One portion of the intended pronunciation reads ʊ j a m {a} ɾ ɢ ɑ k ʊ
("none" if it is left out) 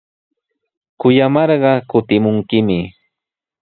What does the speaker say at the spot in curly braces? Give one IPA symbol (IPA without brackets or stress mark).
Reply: ɑ